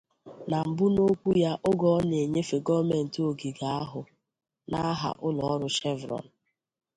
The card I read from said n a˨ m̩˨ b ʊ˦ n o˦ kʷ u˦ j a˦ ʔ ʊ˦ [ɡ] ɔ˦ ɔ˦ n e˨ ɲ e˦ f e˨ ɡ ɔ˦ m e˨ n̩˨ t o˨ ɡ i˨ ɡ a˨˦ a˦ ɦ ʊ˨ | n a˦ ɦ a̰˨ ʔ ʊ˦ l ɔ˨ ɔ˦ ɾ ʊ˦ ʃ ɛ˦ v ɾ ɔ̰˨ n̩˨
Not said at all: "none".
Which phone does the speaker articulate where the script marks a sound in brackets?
ɡ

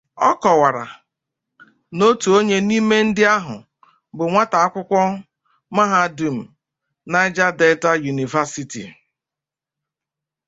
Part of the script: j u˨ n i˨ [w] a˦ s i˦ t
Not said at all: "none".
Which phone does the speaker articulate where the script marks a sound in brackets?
v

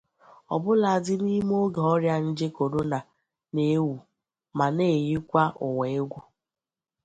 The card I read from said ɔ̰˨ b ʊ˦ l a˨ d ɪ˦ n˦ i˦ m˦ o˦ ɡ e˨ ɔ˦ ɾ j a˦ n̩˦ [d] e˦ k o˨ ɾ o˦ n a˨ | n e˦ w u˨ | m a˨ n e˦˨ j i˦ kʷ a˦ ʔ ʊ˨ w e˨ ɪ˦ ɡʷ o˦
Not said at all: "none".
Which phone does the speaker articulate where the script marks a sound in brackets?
d͡ʒ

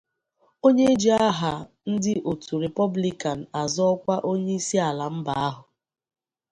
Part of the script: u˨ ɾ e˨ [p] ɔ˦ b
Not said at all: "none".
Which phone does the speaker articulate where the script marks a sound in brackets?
p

